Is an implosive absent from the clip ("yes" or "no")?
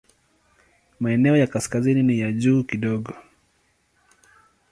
no